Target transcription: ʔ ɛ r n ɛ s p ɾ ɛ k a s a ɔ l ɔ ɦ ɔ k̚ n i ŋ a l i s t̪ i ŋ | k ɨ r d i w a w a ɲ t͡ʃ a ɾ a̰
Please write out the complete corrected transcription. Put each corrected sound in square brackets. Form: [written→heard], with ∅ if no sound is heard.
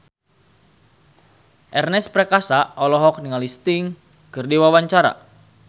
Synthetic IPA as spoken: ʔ ɛ r n ɛ s p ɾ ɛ k a s a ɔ l ɔ ɦ ɔ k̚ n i ŋ a l i s t̪ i ŋ | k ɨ r d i w a w a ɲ t͡ʃ a ɾ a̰